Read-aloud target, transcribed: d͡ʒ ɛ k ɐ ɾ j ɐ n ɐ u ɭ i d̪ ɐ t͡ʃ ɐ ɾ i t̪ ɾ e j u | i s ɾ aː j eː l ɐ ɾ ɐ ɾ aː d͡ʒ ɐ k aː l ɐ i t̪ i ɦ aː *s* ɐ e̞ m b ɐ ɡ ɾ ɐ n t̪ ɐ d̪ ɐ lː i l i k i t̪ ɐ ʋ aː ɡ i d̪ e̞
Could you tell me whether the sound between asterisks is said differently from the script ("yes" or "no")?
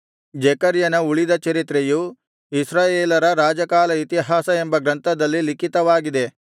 no